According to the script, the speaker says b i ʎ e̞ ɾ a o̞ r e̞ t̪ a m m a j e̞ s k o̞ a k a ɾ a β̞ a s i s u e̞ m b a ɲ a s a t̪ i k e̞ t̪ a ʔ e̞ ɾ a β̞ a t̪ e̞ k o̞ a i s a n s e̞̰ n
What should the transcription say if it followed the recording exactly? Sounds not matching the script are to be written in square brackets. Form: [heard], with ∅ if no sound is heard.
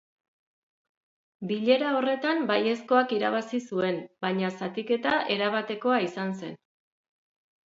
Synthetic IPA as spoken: b i ʎ e̞ ɾ a o̞ r e̞ t̪ a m [b] a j e̞ s k o̞ a k [i] ɾ a β̞ a s i s u e̞ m b a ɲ a s a t̪ i k e̞ t̪ a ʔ e̞ ɾ a β̞ a t̪ e̞ k o̞ a i s a n s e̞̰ n